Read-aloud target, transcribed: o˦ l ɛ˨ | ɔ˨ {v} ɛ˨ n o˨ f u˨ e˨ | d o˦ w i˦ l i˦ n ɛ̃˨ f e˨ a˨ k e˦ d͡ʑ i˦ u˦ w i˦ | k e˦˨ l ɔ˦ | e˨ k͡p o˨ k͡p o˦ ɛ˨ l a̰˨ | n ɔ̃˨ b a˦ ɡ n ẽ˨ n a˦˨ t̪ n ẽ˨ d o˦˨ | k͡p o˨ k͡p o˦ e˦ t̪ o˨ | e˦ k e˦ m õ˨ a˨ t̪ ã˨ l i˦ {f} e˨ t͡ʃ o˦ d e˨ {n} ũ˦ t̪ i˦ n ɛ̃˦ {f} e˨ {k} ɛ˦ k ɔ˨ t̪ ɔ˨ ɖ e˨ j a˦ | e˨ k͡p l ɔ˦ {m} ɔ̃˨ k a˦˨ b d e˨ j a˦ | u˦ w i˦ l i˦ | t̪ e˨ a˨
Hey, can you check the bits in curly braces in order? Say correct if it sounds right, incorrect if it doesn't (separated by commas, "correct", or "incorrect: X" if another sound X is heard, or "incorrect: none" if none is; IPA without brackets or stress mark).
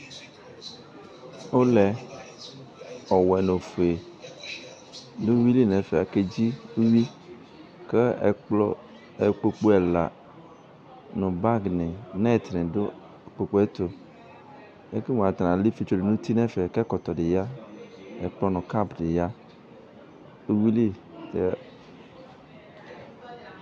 incorrect: w, correct, correct, correct, correct, incorrect: n